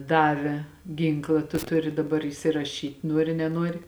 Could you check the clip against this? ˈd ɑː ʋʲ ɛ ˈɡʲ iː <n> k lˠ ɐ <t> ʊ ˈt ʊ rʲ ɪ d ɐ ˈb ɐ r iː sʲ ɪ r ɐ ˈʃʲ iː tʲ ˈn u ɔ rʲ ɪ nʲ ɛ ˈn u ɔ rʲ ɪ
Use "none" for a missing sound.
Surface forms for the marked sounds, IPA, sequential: ŋ, t

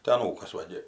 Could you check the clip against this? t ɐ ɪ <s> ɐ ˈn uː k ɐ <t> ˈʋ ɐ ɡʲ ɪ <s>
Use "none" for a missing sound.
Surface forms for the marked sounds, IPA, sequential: none, s, none

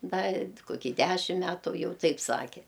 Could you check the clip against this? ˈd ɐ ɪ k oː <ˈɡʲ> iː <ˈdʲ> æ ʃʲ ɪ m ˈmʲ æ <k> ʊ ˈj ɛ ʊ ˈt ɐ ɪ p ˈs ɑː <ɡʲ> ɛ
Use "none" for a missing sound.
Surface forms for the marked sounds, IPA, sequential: kʲ, dʲ, t, kʲ

